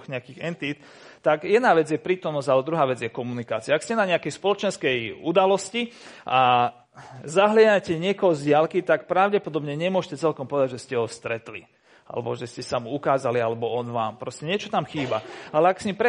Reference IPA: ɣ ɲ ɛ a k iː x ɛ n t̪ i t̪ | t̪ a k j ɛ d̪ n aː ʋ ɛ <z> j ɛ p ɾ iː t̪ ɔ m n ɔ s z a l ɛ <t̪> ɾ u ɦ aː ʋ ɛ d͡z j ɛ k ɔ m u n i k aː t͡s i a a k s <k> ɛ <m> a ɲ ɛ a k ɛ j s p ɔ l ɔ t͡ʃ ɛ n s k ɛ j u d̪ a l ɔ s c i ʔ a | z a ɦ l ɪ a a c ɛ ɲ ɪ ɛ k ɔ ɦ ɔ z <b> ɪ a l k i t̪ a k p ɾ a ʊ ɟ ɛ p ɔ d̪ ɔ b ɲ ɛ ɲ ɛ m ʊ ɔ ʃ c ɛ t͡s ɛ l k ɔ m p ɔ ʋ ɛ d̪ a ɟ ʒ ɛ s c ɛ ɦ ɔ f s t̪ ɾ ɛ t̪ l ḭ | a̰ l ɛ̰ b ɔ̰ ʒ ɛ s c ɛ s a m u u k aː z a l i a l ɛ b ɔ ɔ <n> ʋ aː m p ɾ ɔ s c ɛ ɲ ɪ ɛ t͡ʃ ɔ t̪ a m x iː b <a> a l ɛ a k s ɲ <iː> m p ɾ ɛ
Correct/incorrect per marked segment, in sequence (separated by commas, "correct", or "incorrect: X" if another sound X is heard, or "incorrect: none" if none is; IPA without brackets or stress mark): incorrect: d͡z, incorrect: d̪, incorrect: c, incorrect: n, incorrect: ɟ, correct, correct, incorrect: i